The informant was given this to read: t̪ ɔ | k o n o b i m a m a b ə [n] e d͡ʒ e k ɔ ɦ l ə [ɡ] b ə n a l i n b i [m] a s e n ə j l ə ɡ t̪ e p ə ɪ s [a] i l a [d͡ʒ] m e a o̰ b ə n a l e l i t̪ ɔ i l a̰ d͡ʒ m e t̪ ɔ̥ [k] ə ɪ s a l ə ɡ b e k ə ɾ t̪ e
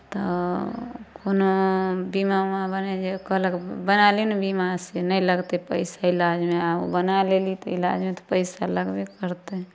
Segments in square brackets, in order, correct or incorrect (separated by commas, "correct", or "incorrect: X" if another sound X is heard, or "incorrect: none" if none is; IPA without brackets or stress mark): correct, incorrect: k, correct, correct, correct, incorrect: p